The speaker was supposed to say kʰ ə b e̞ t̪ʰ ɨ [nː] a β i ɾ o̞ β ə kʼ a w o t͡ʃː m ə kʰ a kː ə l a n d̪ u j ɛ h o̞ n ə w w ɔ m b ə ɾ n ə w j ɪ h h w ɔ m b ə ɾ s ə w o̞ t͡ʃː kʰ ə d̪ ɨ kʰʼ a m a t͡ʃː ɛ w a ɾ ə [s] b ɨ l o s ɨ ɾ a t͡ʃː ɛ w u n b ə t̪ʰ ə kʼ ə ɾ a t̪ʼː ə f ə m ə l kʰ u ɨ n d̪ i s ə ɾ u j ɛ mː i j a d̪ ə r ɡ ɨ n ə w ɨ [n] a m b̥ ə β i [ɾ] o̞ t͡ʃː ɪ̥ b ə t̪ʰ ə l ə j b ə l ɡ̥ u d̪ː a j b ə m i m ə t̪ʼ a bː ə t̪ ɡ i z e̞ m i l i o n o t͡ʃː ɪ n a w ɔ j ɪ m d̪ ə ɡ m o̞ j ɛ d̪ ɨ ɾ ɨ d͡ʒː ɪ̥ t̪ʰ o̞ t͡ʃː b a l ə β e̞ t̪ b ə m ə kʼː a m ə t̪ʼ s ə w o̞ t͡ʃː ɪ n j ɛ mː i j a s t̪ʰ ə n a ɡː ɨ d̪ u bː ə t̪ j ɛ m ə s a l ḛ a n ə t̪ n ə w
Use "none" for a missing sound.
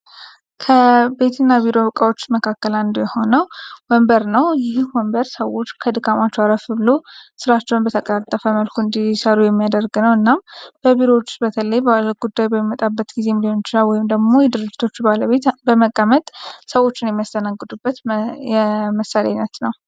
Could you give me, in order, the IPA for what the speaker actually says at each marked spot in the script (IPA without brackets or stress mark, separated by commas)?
nː, f, nː, ɾ